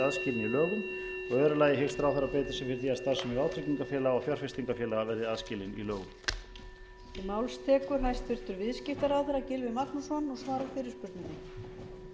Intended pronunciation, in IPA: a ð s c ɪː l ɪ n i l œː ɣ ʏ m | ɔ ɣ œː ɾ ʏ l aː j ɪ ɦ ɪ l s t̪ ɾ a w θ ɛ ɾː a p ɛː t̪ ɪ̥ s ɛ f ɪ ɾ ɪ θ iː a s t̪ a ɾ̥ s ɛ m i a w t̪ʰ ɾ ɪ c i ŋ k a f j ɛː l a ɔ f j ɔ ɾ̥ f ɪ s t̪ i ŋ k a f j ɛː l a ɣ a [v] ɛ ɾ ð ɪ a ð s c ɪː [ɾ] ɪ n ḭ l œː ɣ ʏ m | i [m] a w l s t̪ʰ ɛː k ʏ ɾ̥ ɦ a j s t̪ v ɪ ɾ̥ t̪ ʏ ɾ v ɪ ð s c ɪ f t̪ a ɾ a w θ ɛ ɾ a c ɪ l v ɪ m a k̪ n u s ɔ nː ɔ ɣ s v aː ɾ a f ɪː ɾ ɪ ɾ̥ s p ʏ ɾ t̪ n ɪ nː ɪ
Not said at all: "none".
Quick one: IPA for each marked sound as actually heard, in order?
v, l, m

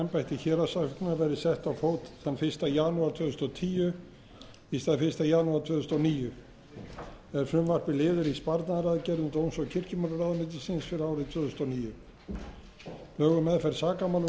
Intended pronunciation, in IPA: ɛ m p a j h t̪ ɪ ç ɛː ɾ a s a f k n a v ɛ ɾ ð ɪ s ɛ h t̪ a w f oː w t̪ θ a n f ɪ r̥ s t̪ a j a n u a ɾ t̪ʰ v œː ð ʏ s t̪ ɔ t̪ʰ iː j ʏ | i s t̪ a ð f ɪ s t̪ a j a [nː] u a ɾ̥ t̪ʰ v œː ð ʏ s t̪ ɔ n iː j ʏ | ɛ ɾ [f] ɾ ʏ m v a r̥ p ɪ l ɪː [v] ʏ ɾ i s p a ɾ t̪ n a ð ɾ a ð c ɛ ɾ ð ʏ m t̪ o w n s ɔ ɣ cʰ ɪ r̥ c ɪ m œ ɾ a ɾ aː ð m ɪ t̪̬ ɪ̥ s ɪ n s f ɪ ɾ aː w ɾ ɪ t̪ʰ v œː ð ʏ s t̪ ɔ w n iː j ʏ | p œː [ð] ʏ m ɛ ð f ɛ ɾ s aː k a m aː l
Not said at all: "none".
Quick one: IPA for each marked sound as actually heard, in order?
n, f, ð, ɣ

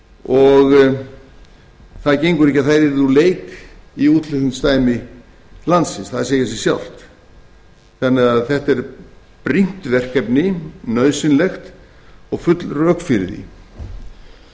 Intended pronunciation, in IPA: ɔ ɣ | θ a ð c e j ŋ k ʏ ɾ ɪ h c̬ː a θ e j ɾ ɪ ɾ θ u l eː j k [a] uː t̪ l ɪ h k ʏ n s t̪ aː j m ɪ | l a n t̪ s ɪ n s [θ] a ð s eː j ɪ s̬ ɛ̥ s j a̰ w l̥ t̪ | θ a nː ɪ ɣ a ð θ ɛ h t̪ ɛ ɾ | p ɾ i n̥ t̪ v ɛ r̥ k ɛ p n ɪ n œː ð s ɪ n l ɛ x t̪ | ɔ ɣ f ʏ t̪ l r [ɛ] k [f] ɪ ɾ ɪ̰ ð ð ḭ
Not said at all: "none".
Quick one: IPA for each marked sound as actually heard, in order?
i, θ, œ, f

